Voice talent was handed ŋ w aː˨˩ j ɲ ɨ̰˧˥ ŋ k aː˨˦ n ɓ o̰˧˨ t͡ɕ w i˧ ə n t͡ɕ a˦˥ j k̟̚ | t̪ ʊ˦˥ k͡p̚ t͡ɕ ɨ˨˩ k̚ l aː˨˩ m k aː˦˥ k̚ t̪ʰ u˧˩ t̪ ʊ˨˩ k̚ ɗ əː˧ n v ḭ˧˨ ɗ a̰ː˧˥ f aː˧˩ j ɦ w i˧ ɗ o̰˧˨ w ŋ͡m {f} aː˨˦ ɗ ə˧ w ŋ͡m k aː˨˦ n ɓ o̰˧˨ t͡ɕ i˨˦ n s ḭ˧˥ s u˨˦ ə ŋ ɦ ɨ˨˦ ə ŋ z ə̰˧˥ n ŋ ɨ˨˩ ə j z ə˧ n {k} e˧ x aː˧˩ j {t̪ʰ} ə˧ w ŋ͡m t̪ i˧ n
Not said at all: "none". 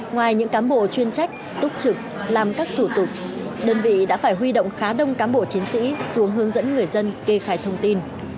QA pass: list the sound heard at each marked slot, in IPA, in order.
x, k, t̪ʰ

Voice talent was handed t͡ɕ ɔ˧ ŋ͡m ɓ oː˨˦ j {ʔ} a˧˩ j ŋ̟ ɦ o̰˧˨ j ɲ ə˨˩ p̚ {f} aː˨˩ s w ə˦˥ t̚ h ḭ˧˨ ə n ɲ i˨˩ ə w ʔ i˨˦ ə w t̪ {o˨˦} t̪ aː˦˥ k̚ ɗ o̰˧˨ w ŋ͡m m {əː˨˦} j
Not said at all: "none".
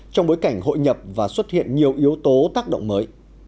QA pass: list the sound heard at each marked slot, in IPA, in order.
k, v, o˨˦, əː˨˦

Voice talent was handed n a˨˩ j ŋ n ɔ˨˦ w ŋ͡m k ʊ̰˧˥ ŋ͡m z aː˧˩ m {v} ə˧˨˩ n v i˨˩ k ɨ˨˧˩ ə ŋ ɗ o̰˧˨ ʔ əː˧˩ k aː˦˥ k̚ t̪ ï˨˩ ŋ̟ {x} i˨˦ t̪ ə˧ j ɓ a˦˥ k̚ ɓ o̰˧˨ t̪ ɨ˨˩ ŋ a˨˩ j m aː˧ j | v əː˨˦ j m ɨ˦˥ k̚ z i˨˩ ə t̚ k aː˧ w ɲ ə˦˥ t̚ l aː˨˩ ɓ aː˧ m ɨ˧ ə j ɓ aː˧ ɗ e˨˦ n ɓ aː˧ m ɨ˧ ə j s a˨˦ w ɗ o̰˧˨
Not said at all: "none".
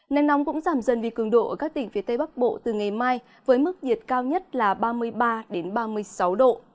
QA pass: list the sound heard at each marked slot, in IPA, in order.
z, f

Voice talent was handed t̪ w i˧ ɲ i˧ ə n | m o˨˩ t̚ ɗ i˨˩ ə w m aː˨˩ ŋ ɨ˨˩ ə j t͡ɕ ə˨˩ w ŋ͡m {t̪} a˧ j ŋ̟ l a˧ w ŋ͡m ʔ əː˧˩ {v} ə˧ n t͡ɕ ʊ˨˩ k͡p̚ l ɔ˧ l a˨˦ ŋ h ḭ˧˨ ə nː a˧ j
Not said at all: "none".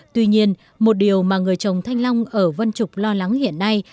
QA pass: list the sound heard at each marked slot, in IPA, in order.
t̪ʰ, v

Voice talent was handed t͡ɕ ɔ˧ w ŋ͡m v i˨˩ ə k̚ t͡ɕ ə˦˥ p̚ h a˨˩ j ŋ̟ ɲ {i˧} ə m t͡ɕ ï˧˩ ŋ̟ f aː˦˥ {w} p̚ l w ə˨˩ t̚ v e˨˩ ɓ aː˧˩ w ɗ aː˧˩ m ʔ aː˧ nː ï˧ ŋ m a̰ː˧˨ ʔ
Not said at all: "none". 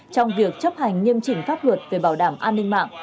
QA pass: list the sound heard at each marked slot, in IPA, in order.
i˧, none

